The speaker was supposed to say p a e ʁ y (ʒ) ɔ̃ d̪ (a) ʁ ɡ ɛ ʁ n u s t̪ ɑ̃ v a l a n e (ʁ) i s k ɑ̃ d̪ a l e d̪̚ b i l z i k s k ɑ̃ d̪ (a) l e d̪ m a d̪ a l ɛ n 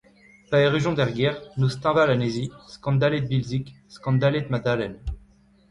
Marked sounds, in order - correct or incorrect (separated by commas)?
correct, incorrect, incorrect, correct